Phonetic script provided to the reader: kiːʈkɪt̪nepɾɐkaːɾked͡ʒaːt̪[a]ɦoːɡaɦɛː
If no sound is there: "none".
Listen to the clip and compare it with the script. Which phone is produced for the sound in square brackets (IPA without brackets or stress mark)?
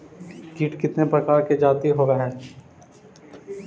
i